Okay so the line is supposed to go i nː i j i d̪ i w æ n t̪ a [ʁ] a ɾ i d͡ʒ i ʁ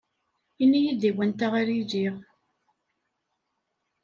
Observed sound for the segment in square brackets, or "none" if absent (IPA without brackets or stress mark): ʁ